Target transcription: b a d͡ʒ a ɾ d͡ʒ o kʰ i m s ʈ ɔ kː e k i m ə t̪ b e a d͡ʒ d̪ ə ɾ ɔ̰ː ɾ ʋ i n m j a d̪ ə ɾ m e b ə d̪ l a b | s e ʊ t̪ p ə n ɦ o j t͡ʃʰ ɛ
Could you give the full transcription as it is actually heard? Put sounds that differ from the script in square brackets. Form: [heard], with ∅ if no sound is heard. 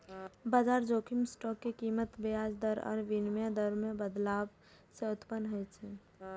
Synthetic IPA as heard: b a d͡ʒ a ɾ d͡ʒ o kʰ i m s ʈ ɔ kː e k i m ə t̪ b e a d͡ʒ d̪ ə ɾ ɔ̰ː ɾ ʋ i n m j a d̪ ə ɾ m e b ə d̪ l a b | s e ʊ t̪ p ə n ɦ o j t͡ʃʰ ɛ